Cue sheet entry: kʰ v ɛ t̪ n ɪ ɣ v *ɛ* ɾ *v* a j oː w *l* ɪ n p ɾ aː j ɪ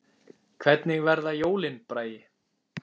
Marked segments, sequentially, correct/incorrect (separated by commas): correct, incorrect, correct